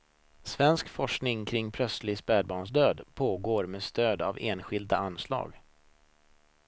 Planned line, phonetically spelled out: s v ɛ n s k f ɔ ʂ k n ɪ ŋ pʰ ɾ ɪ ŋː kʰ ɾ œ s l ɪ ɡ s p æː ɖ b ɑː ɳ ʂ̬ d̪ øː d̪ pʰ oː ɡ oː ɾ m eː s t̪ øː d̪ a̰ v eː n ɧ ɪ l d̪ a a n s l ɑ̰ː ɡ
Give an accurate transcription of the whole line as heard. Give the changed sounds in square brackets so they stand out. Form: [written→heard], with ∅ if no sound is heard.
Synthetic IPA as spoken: s v ɛ n s k f ɔ ʂ k n ɪ ŋ [pʰ→kʰ] ɾ ɪ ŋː [kʰ→pʰ] ɾ œ s l ɪ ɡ s p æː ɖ b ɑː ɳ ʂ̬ d̪ øː d̪ pʰ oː ɡ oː ɾ m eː s t̪ øː d̪ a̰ v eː n ɧ ɪ l d̪ a a n s l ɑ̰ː ɡ